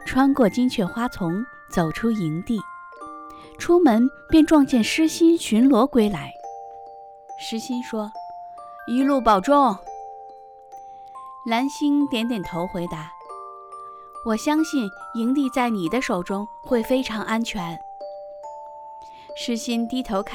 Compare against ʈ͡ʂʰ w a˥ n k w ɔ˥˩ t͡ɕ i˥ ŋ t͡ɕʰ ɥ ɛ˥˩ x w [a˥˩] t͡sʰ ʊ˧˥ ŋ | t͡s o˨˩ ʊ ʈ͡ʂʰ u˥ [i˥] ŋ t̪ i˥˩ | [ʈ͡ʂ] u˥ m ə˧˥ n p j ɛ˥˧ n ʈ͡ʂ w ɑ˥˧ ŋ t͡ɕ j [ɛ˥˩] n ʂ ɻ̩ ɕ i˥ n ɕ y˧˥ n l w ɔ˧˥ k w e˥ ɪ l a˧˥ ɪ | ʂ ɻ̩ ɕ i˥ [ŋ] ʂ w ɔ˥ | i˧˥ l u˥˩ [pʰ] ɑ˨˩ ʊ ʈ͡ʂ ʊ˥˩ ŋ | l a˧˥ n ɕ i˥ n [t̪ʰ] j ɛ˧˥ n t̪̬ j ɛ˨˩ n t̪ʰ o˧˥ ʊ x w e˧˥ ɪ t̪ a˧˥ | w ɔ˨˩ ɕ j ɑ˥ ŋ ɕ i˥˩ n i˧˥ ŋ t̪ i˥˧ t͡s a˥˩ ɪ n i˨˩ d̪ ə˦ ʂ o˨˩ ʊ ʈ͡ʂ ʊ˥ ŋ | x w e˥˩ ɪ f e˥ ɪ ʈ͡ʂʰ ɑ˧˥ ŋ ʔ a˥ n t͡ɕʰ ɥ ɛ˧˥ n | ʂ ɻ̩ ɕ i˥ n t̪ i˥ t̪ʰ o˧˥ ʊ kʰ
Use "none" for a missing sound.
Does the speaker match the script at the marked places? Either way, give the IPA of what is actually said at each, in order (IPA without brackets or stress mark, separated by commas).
a˥, i˧˥, ʈ͡ʂʰ, ɛ˥˩, n, p, t̪